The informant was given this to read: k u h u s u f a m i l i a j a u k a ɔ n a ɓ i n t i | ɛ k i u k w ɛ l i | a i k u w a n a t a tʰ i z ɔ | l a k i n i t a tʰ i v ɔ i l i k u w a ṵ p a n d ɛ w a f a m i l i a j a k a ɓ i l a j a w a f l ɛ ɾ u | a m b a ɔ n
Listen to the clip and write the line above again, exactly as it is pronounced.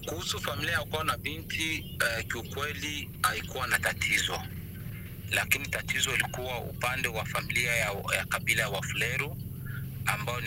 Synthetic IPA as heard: k u h u s u f a m i l i a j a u k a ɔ n a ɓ i n t i | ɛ k i u k w ɛ l i | a i k u w a n a t a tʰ i z ɔ | l a k i n i t a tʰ i z ɔ i l i k u w a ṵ p a n d ɛ w a f a m i l i a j a k a ɓ i l a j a w a f l ɛ ɾ u | a m b a ɔ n